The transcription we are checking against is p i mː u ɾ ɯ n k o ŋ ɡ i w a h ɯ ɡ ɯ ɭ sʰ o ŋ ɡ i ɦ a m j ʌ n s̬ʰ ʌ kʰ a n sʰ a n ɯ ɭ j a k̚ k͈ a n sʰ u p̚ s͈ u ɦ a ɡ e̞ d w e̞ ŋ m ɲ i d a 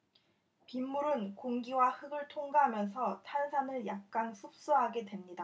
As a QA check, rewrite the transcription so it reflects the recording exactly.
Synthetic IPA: p i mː u ɾ ɯ n k o ŋ ɡ i w a h ɯ ɡ ɯ ɭ tʰ o ŋ ɡ a ɦ a m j ʌ n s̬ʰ ʌ tʰ a n sʰ a n ɯ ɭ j a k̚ k͈ a n sʰ u p̚ s͈ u ɦ a ɡ e̞ d w e̞ m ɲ i d a